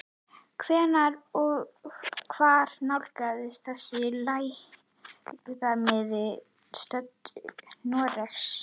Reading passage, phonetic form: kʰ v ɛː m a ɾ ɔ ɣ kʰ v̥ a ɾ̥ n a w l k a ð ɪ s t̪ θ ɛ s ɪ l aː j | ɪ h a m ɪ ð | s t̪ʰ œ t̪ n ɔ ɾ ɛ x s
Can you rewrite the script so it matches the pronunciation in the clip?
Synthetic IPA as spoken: kʰ v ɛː n a ɾ ɔ ɣ kʰ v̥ a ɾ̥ n a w l k a ð ɪ s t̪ θ ɛ s ɪ l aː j | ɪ θ a m ɪ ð | s t̪ œ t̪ n ɔ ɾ ɛ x s